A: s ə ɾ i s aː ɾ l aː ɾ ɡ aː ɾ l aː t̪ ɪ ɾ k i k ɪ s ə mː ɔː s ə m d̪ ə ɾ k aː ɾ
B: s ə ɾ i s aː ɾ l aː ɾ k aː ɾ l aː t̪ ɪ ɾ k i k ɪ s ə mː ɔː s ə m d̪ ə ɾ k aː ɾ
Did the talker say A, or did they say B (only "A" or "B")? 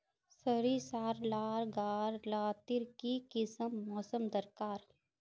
A